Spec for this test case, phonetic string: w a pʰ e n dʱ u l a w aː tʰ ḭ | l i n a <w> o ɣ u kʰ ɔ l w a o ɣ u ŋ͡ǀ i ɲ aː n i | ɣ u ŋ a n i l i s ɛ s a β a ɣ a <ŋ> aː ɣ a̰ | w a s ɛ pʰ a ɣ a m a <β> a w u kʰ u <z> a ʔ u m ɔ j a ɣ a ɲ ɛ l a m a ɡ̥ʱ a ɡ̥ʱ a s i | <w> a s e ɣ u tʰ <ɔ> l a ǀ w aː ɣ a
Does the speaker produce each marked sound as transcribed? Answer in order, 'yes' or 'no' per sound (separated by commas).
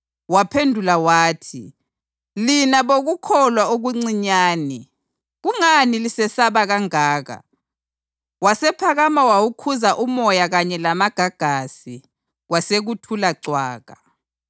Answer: no, yes, no, yes, yes, no